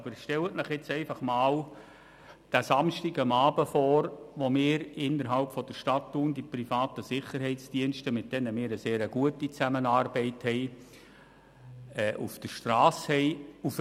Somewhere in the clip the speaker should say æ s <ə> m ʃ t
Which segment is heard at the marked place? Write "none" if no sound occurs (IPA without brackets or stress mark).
ɑ